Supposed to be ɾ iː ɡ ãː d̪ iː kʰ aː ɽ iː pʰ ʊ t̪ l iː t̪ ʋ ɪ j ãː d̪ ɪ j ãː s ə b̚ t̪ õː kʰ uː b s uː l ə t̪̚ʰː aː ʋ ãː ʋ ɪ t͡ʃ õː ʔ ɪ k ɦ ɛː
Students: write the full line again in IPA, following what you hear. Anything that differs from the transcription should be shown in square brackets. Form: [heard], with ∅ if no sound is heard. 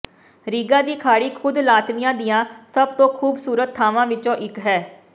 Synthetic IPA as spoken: ɾ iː ɡ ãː d̪ iː kʰ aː ɽ iː [kʰ] ʊ [d̪] l [aː] t̪ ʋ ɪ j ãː d̪ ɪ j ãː s ə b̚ t̪ õː kʰ uː b s uː [ɾ] ə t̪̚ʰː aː ʋ ãː ʋ ɪ t͡ʃ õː ʔ ɪ k ɦ ɛː